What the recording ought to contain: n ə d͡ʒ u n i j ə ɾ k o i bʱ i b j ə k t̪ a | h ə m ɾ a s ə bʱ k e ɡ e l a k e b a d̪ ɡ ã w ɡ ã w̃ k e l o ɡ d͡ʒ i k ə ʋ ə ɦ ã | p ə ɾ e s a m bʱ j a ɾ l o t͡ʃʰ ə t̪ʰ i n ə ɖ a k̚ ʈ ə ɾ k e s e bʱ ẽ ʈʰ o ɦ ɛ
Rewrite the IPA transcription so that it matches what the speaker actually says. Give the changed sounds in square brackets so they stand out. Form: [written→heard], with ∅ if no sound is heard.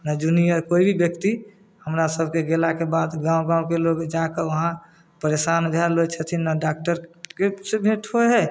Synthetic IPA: n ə d͡ʒ u n i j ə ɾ k o i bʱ i b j ə k t̪ [a→i] | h ə m ɾ a s ə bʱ k e ɡ e l a k e b a d̪ ɡ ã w ɡ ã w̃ k e l o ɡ d͡ʒ [i→a] k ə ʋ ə ɦ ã | p ə ɾ e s a [m→n] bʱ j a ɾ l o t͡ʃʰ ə t̪ʰ i n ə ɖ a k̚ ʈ ə ɾ k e s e bʱ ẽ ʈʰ o ɦ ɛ